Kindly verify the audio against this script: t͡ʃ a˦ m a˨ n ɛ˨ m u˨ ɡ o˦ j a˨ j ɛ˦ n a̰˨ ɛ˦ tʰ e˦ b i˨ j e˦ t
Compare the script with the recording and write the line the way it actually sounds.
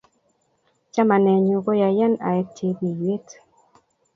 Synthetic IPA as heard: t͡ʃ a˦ m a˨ n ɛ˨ ɲ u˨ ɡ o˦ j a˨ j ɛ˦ n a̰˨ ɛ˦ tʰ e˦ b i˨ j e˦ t